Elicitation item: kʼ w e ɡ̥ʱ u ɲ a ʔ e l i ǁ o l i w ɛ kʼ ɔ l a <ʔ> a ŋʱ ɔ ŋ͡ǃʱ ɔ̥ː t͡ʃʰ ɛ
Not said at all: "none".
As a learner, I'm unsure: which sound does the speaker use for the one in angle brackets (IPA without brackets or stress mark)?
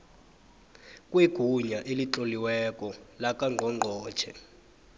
k